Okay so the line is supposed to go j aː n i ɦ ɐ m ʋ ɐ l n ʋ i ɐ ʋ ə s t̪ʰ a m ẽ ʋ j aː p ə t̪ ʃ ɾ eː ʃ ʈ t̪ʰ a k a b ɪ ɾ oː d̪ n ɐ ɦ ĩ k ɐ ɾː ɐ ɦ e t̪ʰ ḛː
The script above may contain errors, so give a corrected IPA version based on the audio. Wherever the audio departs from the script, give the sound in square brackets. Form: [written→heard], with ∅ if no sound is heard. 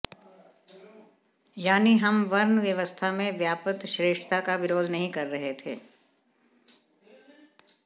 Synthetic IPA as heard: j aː n i ɦ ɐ m ʋ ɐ [l→ɾ] n ʋ [i→j] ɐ ʋ ə s t̪ʰ a m ẽ ʋ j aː p ə t̪ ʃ ɾ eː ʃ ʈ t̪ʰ a k a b ɪ ɾ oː d̪ n ɐ ɦ ĩ k ɐ ɾː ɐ ɦ e t̪ʰ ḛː